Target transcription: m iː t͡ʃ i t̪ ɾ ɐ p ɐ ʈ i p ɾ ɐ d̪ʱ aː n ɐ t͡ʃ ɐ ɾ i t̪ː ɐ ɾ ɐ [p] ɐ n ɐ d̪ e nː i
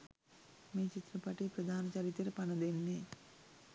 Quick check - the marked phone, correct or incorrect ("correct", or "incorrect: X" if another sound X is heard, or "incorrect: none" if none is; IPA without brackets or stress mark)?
correct